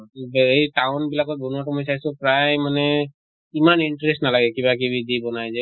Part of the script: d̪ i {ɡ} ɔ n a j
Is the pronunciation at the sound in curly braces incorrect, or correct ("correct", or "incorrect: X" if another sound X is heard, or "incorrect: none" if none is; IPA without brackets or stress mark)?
incorrect: b